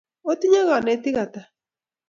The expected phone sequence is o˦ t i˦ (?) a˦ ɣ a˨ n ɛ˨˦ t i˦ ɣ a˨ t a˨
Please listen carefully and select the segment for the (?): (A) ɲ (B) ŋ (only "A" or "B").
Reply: A